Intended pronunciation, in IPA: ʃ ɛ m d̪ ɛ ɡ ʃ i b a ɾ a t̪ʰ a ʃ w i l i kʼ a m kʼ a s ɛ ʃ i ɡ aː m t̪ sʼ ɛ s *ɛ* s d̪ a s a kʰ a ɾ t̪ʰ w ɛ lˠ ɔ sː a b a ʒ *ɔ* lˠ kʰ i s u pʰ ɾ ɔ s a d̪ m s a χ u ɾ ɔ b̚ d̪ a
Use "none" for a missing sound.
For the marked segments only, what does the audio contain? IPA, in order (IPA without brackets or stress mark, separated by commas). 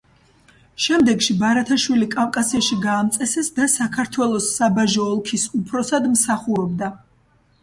ɛ, ɔː